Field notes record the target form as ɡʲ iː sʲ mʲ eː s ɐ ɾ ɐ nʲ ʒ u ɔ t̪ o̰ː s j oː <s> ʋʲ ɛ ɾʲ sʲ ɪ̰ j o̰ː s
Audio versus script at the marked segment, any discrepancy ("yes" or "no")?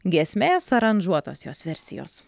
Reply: no